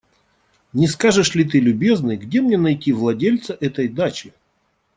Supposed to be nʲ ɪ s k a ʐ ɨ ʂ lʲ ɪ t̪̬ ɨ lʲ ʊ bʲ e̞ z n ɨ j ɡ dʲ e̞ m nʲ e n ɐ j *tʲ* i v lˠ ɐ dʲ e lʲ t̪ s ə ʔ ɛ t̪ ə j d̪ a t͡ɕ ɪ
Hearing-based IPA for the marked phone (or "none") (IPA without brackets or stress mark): tʲ